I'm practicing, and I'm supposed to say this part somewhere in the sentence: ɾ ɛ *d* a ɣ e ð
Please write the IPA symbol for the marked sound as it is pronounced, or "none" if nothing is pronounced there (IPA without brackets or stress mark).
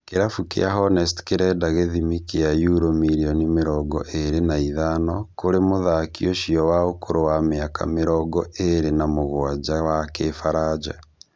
d